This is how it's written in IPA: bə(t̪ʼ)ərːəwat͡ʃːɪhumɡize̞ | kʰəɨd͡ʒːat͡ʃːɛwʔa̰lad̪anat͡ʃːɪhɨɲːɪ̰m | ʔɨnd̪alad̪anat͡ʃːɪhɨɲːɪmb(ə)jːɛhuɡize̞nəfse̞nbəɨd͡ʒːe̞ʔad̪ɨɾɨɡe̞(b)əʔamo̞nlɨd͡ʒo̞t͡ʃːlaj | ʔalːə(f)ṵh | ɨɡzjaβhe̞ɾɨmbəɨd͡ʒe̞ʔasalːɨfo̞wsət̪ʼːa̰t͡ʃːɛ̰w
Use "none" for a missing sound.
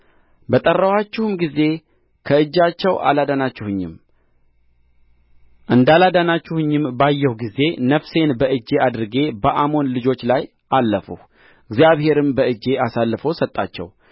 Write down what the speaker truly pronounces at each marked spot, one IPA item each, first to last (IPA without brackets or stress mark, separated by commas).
t̪ʼ, a, b, f